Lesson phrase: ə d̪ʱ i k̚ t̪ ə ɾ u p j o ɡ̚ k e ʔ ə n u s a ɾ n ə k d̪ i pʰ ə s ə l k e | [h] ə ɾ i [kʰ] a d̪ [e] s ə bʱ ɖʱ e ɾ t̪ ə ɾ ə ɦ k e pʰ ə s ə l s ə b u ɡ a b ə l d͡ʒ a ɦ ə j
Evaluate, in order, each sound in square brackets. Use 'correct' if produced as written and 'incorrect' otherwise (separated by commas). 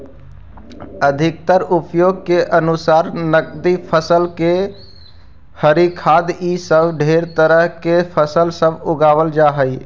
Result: correct, correct, incorrect